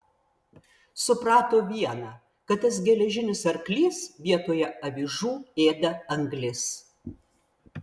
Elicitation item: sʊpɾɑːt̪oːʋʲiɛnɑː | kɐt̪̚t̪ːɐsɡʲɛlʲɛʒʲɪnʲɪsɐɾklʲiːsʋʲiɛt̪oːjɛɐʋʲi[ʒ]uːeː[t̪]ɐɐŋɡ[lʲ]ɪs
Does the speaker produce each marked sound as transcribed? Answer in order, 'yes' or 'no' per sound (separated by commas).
yes, no, yes